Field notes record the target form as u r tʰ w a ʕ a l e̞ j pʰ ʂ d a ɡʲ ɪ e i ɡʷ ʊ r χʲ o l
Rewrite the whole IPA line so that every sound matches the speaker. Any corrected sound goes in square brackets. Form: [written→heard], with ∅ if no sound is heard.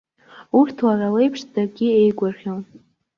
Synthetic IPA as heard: u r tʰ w a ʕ a l e̞ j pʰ ʂ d a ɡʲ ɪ e [i→j] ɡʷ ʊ r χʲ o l

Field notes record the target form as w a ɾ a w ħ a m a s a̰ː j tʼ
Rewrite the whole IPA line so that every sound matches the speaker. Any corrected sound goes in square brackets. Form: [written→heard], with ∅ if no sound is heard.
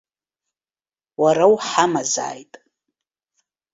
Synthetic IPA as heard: w a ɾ a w ħ a m a [s→z] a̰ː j tʼ

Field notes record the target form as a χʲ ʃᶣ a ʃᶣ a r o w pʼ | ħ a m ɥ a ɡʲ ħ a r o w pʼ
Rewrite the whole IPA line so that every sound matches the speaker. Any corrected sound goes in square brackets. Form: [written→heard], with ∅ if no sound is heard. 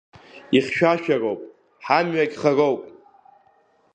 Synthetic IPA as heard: [a→i] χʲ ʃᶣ a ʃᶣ a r o w pʼ | ħ a m ɥ a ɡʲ [ħ→χ] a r o w pʼ

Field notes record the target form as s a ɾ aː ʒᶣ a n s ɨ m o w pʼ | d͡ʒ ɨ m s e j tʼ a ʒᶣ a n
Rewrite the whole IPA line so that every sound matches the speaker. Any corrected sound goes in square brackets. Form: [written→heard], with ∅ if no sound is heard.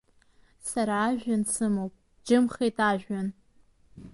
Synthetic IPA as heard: s a ɾ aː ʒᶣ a n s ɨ m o w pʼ | d͡ʒ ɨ m [s→χ] e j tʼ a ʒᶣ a n

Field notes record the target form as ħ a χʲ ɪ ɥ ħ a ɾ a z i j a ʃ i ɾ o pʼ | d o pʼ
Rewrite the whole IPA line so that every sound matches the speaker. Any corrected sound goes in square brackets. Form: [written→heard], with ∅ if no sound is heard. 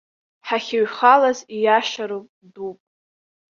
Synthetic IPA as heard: ħ a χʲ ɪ ɥ [ħ→χ] a [ɾ→l] a z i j a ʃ [i→a] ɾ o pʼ | d [o→u] pʼ

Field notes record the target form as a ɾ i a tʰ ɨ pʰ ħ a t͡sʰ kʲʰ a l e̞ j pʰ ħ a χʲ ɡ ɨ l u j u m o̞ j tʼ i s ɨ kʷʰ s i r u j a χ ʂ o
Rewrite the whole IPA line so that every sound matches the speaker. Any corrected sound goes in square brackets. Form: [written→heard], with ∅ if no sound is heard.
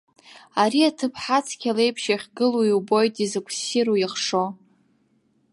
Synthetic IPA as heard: a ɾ i a tʰ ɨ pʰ ħ a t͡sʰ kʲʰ a l e̞ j pʰ [ħ→ʃ] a χʲ ɡ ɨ l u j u [m→b] o̞ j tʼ i [s→z] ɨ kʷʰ s i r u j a χ ʂ o

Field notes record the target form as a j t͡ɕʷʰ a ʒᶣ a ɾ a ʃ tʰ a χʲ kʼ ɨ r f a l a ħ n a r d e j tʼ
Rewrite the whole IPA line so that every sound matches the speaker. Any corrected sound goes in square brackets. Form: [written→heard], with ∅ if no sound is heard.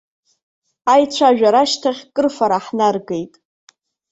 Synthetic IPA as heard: a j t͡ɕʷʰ a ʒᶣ a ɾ a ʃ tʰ a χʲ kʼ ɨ r f a [l→ɾ] a ħ n a r [d→ɡ] e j tʼ

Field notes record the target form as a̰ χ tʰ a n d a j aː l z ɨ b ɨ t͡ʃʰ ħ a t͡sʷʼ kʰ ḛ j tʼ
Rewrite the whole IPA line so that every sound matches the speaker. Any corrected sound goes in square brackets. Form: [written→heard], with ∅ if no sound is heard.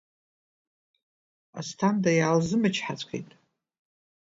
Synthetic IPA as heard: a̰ [χ→s] tʰ a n d a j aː l z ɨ [b→m] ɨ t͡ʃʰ ħ a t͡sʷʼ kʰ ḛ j tʼ

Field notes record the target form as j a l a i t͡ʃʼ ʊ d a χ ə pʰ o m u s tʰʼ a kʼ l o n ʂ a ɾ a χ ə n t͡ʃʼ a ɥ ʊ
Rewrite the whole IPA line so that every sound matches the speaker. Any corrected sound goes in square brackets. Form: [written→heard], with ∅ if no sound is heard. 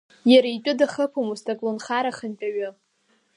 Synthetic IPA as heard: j a [l→ɾ] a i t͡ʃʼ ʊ d a χ ə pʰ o m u s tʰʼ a kʼ l o n [ʂ→χ] a ɾ a χ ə n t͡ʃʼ a ɥ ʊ

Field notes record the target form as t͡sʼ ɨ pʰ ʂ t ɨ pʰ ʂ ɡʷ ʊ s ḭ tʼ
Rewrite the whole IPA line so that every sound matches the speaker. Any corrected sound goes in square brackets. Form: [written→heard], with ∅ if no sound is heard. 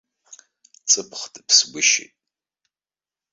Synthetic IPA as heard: t͡sʼ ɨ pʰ [ʂ→χ] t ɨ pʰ [ʂ→s] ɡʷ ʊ [s→ʃ] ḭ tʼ

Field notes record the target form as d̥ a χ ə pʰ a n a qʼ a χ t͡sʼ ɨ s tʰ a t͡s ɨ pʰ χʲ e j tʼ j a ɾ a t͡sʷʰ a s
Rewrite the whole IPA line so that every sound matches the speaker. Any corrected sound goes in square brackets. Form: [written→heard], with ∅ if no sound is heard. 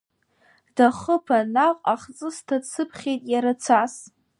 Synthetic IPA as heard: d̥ a χ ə pʰ a n a qʼ a χ t͡sʼ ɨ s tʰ a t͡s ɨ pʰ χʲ e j tʼ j a ɾ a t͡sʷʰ a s

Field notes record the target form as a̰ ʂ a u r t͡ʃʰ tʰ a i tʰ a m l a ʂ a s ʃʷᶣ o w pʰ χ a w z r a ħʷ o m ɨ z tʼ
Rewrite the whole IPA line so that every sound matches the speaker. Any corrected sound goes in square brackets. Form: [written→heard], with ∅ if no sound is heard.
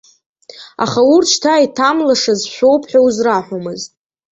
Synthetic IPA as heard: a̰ [ʂ→χ] a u r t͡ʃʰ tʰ a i tʰ a m l a ʂ a [s→z] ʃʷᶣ o w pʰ [χ→ħ] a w z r a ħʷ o m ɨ z tʼ

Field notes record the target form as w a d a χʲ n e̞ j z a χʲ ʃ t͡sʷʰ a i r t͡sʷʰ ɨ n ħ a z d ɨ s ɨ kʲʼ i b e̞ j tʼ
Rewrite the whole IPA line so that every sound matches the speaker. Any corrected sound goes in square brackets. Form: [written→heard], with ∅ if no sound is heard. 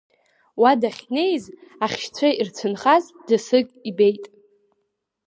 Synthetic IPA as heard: w a d a χʲ n e̞ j z a χʲ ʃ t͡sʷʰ a i r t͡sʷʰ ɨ n [ħ→χ] a z d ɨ s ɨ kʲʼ i b e̞ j tʼ

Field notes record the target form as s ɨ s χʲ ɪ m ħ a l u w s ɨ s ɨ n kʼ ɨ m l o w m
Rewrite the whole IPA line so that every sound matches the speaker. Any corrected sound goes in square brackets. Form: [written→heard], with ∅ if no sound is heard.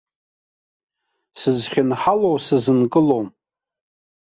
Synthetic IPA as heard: s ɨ [s→z] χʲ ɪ [m→n] ħ a l [u→o] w s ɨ [s→z] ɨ n kʼ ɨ [m→∅] l o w m

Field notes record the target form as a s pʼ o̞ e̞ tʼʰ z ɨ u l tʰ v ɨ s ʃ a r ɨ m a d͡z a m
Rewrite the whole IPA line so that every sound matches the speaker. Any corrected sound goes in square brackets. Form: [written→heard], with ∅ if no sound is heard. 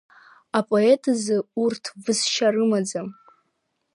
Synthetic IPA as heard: a [s→∅] pʼ o̞ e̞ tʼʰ z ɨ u [l→r] tʰ v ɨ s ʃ a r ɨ m a d͡z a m

